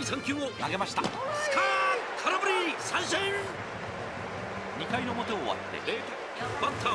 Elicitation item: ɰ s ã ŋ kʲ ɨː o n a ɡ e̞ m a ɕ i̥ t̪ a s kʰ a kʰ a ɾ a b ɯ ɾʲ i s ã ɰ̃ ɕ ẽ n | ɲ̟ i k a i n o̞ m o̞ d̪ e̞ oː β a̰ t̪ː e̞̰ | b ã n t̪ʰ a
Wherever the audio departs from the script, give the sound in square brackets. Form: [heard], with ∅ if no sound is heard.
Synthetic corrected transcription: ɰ s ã ŋ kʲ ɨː o n a ɡ e̞ m a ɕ i̥ t̪ a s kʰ a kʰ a ɾ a b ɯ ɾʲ i s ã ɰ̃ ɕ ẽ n | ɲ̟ i k a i n o̞ m o̞ [t̪] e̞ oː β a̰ t̪ː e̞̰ | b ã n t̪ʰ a